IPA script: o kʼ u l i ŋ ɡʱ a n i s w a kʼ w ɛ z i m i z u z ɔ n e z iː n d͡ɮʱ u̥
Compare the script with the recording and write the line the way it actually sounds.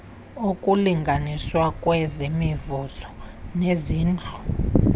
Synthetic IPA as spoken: o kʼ u l i ŋ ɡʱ a n i s w a kʼ w ɛ z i m i v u z ɔ n e z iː n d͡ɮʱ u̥